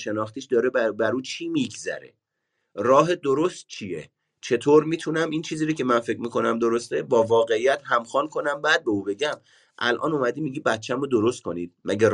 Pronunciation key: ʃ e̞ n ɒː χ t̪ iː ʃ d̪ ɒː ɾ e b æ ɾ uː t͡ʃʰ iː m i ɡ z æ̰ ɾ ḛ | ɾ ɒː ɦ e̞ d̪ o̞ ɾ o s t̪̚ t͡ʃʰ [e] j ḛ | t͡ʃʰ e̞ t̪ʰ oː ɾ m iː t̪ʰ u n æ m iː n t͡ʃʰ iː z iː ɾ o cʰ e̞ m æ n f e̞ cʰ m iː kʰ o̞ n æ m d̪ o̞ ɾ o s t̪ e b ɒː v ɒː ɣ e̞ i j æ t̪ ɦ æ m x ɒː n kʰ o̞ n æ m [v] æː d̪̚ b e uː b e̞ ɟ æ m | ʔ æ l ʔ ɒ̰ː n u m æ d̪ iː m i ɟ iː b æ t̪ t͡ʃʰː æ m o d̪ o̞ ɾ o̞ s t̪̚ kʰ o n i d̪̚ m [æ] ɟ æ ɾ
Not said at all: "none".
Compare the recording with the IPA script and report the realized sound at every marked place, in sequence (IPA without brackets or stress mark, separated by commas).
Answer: i, b, æ